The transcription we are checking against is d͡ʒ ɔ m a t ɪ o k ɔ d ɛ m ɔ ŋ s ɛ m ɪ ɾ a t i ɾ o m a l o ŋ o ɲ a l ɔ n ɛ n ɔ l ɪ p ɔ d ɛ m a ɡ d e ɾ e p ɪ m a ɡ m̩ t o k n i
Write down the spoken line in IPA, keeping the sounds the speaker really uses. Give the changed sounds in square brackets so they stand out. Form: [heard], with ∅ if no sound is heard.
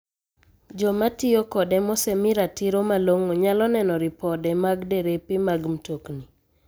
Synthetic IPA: d͡ʒ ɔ m a t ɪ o k ɔ d ɛ m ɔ [∅] s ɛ m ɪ ɾ a t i ɾ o m a l o ŋ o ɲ a l ɔ n ɛ n ɔ [ɾ] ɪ p ɔ d ɛ m a ɡ d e ɾ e p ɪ m a ɡ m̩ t o k n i

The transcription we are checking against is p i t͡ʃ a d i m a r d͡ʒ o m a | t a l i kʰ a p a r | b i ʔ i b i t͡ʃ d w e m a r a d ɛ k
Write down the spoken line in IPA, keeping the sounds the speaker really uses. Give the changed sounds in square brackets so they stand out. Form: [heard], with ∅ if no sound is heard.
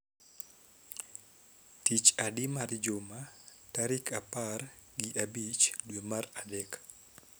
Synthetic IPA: [t] i t͡ʃ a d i m a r d͡ʒ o m a | t a [ɾ] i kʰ a p a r | [ɡ] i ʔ [a] b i t͡ʃ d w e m a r a d ɛ k

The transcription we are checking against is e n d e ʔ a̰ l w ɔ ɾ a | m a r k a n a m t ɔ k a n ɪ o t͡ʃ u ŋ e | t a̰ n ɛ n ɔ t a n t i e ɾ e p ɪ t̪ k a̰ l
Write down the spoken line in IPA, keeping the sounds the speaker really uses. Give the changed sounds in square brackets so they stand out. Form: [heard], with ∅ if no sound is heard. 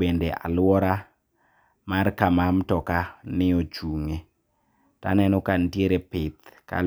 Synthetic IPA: e n d e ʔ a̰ l w ɔ ɾ a | m a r k a [m] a m t ɔ k a n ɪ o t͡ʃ u ŋ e | t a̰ n ɛ n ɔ [k] a n t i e ɾ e p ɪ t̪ k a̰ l

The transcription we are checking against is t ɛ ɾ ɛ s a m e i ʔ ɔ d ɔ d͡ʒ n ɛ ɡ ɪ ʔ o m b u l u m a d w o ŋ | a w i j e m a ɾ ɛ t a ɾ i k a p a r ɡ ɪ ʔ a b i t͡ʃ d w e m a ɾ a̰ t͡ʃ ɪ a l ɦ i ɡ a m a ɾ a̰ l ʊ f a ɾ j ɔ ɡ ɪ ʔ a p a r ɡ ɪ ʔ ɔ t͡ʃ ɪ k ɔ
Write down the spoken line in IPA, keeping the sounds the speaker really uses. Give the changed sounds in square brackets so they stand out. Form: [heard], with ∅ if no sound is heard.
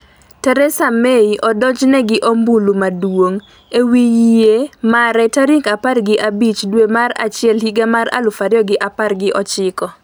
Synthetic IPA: t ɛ ɾ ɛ s a m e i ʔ ɔ d ɔ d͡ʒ n ɛ ɡ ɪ ʔ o m b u l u m a d w o ŋ | [e] w i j e m a ɾ ɛ t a ɾ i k a p a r ɡ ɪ ʔ a b i t͡ʃ d w e m a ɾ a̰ t͡ʃ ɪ [ɛ] l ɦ i ɡ a m a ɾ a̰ l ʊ f a ɾ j ɔ ɡ ɪ ʔ a p a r ɡ ɪ ʔ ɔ t͡ʃ ɪ k ɔ

